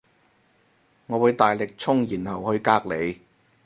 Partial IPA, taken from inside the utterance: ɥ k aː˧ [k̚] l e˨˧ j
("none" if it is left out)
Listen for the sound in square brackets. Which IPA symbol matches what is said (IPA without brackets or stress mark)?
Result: k̚